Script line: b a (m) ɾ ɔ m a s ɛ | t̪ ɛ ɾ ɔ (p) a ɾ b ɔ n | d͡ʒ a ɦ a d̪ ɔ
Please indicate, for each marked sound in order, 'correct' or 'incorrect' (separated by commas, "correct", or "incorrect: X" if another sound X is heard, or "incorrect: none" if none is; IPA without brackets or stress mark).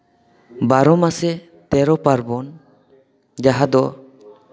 incorrect: none, correct